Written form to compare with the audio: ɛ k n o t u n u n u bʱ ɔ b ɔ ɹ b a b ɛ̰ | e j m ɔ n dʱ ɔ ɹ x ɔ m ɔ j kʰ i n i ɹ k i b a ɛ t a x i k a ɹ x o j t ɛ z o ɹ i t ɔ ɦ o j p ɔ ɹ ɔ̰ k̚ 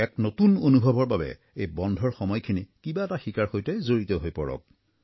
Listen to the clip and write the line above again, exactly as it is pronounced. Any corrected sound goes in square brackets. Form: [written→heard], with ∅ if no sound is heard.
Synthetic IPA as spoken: ɛ k n o t u n [u→o] n u bʱ ɔ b ɔ ɹ b a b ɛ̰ | e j [m→b] ɔ n dʱ ɔ ɹ x ɔ m ɔ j kʰ i n i [ɹ→∅] k i b a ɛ t a x i k a ɹ x o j t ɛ z o ɹ i t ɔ ɦ o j p ɔ ɹ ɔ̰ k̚